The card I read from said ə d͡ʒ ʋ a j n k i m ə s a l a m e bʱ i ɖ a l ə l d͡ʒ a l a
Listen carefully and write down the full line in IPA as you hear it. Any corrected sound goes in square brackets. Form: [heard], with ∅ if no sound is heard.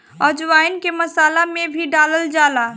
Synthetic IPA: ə d͡ʒ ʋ a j n k [e] m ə s a l a m e bʱ i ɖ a l ə l d͡ʒ a l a